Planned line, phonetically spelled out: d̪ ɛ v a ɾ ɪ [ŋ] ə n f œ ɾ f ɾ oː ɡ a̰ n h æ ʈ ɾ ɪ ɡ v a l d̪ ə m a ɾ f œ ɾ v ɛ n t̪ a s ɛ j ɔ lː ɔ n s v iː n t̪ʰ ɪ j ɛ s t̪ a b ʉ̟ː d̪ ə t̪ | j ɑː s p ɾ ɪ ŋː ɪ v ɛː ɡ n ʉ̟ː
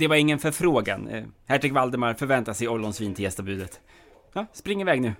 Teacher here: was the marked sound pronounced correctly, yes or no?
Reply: no